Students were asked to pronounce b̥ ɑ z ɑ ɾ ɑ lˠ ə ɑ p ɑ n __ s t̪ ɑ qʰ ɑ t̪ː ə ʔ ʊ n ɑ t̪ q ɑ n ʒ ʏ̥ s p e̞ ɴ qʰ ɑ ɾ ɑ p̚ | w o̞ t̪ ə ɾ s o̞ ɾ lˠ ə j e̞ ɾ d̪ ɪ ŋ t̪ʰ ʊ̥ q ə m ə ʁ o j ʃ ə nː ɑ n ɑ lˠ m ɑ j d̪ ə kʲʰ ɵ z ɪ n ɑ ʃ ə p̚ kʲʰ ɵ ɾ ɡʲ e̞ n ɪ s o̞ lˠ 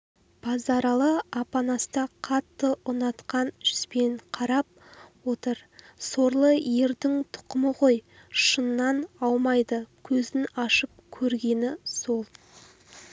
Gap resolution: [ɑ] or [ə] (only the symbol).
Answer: ɑ